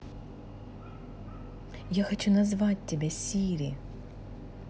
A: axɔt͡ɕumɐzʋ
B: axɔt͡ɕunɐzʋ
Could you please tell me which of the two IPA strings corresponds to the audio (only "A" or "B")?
B